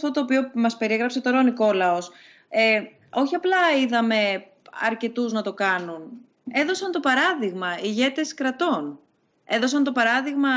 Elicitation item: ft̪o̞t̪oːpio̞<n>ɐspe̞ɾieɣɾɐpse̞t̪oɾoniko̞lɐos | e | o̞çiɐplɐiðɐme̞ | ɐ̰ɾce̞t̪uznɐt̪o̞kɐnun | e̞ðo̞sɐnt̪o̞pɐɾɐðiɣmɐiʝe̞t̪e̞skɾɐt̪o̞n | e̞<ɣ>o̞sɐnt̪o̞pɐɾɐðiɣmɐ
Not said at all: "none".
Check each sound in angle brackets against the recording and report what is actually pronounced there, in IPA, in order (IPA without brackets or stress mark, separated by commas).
m, ð